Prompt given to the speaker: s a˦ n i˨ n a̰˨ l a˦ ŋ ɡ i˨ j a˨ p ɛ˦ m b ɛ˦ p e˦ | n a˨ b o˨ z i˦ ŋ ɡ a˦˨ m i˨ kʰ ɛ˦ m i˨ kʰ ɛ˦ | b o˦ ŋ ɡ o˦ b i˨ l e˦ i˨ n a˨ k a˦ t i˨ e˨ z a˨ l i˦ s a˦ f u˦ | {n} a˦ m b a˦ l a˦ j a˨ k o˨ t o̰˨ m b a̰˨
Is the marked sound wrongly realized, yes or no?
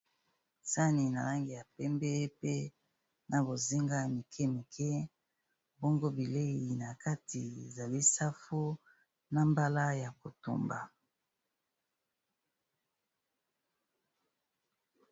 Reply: no